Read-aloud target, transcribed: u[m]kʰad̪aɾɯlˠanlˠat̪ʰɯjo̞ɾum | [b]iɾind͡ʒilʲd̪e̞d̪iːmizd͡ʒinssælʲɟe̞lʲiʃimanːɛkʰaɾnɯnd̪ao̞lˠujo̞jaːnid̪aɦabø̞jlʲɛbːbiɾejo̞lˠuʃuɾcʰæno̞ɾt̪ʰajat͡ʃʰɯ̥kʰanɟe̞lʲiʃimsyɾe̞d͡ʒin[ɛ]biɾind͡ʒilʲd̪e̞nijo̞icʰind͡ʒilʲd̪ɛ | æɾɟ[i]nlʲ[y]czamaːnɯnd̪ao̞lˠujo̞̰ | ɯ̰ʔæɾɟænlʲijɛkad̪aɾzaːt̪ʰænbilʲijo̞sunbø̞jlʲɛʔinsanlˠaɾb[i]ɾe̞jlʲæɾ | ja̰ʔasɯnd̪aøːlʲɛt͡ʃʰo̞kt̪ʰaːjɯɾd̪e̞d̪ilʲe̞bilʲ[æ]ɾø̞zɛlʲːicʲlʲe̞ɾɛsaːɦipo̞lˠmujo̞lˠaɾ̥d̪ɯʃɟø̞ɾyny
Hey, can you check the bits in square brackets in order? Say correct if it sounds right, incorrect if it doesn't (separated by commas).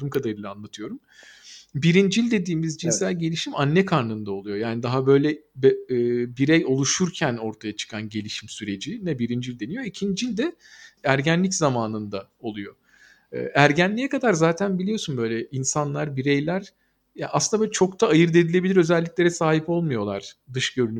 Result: correct, correct, correct, incorrect, incorrect, correct, incorrect